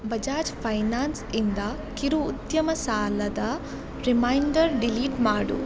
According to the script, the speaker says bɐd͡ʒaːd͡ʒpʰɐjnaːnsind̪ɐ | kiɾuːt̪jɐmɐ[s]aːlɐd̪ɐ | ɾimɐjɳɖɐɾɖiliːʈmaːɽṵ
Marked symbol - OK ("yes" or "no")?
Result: yes